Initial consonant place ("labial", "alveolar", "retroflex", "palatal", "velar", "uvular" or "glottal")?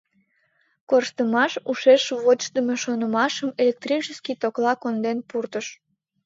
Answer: velar